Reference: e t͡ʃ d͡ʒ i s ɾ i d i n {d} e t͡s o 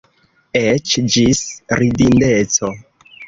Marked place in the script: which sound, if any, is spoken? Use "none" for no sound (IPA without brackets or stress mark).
d